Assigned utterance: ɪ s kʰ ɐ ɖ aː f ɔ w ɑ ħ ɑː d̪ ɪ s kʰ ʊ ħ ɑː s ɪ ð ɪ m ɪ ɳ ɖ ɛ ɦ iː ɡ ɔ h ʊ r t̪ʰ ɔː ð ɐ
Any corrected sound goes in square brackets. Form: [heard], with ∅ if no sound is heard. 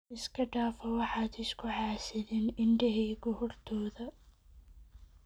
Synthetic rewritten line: ɪ s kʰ ɐ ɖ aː f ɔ w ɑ ħ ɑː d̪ ɪ s kʰ ʊ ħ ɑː s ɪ ð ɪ [n] ɪ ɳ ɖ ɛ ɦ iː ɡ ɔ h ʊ r t̪ʰ ɔː ð ɐ